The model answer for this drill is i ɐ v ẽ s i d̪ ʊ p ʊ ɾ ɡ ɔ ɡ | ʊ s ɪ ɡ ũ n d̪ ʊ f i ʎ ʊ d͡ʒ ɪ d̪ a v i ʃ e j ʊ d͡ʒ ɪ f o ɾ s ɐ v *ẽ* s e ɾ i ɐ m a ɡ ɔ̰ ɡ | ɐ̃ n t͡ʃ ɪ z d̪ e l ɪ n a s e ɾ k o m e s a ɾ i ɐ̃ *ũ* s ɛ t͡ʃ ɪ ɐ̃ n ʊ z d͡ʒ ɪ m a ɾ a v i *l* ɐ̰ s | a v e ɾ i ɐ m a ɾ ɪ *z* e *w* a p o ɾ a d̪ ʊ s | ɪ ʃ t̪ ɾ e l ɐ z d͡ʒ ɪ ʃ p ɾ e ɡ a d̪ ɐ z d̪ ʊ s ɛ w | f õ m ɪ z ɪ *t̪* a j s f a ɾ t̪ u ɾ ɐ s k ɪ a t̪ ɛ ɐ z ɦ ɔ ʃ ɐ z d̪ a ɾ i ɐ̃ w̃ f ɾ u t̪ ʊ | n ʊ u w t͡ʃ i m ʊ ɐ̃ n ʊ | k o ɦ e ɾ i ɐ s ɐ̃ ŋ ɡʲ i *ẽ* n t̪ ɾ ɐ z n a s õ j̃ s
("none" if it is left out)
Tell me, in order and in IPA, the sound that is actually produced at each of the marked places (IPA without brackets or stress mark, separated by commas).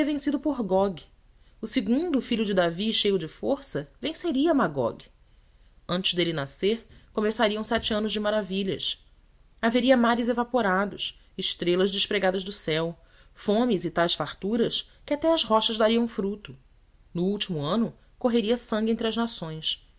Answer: ẽ, w̃, ʎ, z, v, t̪, ẽ